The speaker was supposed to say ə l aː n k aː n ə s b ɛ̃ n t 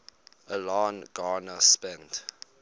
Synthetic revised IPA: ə l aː n ɡ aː n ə s p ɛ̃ n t

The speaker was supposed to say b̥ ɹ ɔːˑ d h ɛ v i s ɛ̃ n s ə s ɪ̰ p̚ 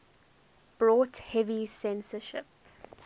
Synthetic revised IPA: b̥ ɹ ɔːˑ t h ɛ v i s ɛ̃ n s ə ʃ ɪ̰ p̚

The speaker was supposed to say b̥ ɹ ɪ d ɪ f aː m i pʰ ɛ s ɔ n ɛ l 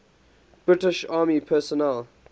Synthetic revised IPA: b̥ ɹ ɪ t ɪ ʃ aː m i pʰ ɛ s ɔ n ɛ l

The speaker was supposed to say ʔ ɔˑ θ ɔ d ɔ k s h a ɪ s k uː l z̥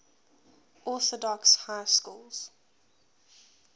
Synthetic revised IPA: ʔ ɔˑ θ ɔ d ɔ k s h a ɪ s k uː l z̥

